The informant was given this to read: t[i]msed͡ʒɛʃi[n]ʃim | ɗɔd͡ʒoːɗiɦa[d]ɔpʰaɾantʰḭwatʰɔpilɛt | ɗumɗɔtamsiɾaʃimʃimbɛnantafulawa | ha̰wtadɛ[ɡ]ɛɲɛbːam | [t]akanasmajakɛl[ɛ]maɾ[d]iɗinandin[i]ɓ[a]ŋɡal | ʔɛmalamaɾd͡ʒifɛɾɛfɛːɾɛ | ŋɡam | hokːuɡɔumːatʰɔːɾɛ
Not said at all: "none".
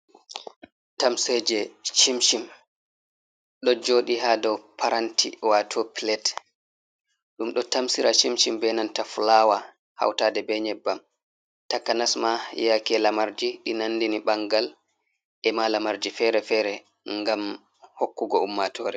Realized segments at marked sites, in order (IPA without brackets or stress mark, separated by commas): a, m, d, b, t, a, d͡ʒ, i, a